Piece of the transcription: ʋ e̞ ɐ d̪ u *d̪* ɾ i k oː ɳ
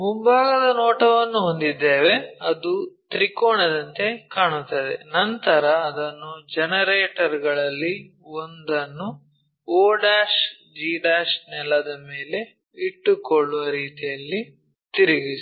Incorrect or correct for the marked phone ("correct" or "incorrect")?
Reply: incorrect